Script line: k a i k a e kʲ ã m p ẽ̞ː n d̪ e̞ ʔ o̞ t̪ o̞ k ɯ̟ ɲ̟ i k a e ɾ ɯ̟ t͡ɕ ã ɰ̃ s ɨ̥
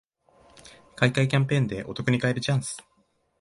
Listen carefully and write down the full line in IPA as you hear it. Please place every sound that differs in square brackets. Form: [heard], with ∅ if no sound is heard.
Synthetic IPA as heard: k a i k a [i] kʲ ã m p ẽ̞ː n d̪ e̞ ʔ o̞ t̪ o̞ k ɯ̟ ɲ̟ i k a e ɾ ɯ̟ t͡ɕ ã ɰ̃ s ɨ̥